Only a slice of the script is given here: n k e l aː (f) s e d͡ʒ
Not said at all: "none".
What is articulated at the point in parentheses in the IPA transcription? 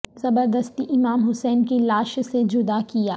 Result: ʃ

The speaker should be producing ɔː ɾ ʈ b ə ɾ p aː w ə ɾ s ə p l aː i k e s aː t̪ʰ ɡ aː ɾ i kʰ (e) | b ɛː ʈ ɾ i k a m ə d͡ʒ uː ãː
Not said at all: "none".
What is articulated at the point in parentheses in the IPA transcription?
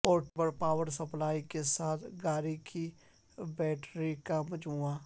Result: i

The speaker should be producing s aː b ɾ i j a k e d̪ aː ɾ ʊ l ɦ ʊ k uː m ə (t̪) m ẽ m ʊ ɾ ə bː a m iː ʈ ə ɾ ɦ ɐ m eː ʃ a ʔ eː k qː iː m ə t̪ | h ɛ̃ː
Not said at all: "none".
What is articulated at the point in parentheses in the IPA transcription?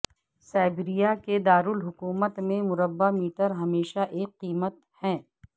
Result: t̪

